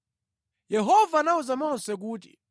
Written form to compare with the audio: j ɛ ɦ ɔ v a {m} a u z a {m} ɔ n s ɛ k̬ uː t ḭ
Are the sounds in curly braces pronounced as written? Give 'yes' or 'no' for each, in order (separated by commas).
no, yes